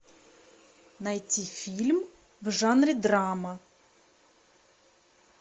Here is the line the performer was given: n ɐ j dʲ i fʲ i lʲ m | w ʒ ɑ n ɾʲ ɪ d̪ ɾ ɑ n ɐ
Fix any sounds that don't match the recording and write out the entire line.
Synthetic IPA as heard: n ɐ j tʲ i fʲ i lʲ m | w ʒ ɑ n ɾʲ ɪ d̪ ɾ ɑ m ɐ